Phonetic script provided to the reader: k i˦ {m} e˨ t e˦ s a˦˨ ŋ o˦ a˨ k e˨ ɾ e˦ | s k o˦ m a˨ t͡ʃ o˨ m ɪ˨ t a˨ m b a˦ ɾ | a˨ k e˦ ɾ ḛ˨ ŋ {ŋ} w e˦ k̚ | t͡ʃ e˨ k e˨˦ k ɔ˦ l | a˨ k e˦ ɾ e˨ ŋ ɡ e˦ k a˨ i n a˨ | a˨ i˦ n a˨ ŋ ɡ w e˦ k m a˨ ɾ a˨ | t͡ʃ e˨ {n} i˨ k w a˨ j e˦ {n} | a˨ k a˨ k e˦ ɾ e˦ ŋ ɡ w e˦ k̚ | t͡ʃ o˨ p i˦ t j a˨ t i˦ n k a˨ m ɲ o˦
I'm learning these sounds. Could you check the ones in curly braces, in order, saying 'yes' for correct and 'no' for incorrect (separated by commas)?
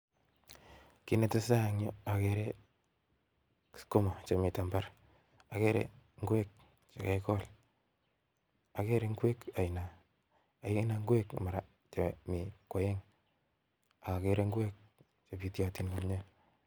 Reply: no, no, no, no